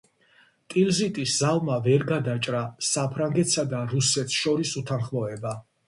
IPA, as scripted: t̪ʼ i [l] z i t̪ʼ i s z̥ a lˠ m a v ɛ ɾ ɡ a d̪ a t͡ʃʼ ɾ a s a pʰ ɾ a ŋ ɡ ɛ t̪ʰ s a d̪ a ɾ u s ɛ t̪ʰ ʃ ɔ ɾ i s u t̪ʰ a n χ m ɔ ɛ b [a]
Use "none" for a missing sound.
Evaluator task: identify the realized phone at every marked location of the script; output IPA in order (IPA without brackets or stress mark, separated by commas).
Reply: l, a